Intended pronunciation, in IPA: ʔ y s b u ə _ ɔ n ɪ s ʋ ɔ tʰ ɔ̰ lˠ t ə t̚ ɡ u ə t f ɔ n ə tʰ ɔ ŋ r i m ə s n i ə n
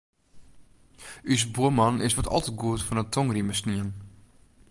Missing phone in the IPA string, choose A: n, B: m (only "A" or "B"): B